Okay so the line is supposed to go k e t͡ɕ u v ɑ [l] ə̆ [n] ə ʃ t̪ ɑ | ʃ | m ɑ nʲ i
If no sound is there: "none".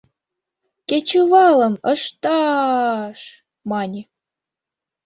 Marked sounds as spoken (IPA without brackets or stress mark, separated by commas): l, m